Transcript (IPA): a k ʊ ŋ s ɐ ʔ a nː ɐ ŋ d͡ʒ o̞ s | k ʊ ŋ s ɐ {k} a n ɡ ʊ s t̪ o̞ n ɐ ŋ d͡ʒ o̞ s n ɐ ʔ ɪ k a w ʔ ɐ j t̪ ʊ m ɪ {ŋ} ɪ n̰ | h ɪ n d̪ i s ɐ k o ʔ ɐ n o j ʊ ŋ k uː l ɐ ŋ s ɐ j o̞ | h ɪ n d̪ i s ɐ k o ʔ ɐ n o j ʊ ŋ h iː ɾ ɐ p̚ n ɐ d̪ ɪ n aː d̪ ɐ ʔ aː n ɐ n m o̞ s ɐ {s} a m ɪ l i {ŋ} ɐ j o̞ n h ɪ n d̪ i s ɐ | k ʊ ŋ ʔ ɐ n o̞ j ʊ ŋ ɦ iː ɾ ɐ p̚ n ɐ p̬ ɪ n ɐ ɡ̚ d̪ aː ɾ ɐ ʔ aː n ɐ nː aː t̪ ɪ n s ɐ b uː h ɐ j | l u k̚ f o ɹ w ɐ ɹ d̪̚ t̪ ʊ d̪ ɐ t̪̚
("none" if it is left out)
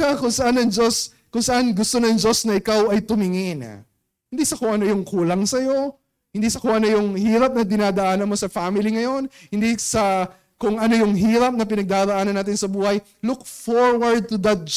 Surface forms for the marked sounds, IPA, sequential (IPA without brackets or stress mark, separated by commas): ʔ, ŋ, f, ŋ